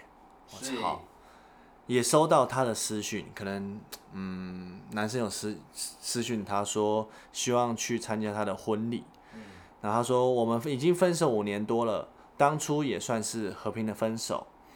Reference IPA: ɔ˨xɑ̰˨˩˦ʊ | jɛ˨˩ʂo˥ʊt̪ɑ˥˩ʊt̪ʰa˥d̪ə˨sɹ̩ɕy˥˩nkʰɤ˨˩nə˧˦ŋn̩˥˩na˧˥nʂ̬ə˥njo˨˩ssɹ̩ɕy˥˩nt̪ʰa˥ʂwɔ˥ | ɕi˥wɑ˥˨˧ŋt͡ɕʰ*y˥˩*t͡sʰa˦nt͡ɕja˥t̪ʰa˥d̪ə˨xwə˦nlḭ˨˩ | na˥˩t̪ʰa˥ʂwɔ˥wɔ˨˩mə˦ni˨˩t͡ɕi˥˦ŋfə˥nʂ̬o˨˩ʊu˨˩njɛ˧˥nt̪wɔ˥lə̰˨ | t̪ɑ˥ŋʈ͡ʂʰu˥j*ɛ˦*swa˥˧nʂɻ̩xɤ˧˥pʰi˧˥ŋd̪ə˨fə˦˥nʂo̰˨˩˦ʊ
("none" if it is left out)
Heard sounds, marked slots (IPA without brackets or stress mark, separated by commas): y˥˩, ɛ˨˩